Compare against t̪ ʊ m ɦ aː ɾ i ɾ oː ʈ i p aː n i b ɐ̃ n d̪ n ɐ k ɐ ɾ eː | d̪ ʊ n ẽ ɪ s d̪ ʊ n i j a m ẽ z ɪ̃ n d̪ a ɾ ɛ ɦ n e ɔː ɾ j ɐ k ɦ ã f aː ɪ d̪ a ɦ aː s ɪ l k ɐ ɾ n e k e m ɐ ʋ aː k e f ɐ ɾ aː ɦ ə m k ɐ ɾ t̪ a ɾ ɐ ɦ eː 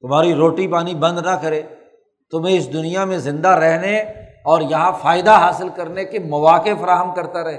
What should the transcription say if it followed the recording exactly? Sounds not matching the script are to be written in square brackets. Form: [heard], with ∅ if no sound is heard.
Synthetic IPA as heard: t̪ ʊ m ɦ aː ɾ i ɾ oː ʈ i p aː n i b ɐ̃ n d̪ n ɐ k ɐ ɾ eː | [t̪] ʊ [m] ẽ ɪ s d̪ ʊ n i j a m ẽ z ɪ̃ n d̪ a ɾ ɛ ɦ n e ɔː ɾ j ɐ [∅] ɦ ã f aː ɪ d̪ a ɦ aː s ɪ l k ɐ ɾ n e k e m ɐ ʋ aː k e f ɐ ɾ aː ɦ ə m k ɐ ɾ t̪ a ɾ ɐ ɦ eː